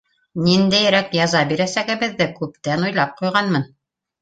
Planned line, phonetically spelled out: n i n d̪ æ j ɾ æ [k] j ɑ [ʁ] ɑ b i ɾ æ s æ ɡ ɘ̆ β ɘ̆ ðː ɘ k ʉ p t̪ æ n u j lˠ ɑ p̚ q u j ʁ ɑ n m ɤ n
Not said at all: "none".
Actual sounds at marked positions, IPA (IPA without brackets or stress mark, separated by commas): k, z